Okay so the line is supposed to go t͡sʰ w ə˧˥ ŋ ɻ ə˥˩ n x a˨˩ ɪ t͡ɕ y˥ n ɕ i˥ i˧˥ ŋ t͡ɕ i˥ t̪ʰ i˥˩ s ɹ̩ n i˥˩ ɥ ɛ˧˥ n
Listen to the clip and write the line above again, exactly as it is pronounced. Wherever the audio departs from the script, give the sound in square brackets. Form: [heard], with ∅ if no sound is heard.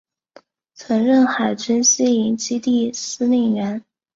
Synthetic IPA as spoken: t͡sʰ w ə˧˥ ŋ ɻ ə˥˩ n x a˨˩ ɪ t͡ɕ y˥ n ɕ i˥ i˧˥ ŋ t͡ɕ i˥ [t̪] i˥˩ s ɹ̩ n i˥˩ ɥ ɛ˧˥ n